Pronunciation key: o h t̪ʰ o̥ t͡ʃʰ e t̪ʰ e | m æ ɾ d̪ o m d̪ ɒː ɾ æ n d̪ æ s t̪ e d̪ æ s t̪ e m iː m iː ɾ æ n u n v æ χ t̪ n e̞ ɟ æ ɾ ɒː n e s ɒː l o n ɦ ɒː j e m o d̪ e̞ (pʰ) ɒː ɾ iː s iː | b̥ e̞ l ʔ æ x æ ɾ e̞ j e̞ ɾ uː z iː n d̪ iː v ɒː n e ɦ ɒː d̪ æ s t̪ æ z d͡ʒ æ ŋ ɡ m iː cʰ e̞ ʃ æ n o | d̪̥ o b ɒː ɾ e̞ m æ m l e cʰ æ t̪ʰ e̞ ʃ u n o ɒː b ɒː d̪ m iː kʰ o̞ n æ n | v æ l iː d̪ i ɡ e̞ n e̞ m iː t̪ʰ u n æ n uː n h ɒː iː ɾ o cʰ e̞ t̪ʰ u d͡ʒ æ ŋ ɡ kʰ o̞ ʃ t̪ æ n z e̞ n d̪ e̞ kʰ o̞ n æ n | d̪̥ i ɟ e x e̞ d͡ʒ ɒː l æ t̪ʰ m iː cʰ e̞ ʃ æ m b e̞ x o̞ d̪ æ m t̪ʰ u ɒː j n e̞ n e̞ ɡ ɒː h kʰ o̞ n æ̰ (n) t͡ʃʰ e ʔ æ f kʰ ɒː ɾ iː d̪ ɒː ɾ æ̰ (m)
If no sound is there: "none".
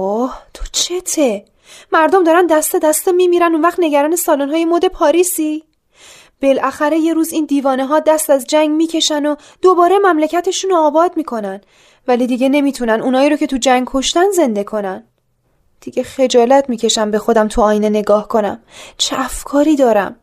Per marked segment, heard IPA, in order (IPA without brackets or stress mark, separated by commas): pʰ, m, m